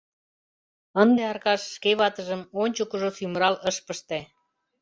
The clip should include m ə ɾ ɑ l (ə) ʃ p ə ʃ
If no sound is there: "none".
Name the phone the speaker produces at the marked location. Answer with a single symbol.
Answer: ə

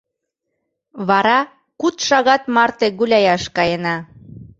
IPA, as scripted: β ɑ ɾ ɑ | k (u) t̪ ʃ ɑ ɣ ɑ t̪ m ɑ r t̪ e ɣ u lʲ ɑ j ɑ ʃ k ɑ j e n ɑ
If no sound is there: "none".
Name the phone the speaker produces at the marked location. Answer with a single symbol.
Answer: u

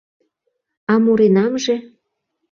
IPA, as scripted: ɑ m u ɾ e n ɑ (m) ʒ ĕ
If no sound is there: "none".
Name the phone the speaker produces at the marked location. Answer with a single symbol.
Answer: m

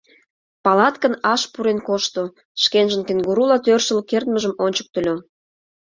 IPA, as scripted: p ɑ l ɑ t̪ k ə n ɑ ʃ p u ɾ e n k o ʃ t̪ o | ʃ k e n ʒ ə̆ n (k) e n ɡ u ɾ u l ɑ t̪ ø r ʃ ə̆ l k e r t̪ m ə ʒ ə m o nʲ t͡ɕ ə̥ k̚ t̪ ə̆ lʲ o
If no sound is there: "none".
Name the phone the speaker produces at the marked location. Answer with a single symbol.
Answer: k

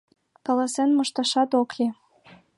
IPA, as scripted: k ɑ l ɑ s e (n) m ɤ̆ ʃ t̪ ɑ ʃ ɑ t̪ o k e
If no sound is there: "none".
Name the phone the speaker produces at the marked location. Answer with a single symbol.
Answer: n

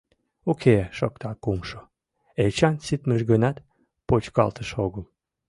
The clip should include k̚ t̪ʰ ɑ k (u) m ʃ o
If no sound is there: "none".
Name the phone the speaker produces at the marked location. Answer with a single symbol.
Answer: u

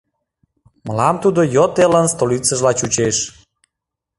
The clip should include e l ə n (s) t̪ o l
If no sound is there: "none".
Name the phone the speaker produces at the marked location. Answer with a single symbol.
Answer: s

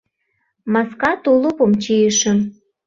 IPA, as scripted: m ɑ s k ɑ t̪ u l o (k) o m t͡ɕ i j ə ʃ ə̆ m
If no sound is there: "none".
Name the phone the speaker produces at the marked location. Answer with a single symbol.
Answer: p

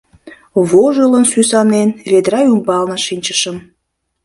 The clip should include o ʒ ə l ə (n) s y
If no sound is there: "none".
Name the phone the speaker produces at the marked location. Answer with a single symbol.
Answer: n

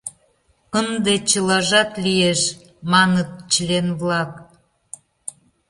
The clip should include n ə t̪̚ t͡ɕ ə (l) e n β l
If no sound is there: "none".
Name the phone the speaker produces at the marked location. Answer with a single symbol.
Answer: l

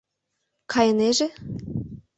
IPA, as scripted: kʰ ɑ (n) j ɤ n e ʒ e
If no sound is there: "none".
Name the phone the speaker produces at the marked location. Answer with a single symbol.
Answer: none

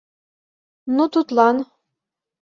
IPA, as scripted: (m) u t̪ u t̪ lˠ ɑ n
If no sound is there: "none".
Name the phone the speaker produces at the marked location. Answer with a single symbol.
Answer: n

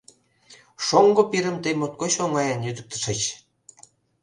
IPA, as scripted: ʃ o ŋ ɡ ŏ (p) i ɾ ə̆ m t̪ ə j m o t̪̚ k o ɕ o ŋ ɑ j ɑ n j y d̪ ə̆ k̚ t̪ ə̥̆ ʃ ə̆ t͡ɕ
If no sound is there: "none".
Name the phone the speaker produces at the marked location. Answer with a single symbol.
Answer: p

